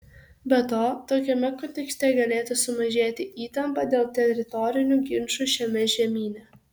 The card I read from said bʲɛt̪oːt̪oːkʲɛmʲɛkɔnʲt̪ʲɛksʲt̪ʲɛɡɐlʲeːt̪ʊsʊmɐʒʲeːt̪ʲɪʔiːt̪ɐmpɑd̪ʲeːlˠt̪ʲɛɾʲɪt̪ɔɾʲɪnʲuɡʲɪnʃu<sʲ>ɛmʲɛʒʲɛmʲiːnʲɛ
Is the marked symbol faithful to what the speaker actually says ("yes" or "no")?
no